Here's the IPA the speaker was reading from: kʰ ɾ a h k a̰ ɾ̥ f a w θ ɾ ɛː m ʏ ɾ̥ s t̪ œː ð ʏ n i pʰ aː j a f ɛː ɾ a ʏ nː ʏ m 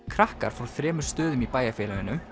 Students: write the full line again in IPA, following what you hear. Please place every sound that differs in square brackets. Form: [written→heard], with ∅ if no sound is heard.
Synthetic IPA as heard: kʰ ɾ a h k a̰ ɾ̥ f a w θ ɾ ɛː m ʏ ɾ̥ s t̪ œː ð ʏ [n→m] i [pʰ→p] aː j a f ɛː [ɾ→l] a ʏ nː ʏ m